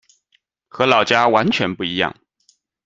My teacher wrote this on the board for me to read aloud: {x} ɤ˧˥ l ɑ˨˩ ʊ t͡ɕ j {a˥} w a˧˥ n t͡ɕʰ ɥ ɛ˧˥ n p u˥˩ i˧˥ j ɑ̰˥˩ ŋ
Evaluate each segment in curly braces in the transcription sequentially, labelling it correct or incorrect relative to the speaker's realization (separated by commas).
correct, correct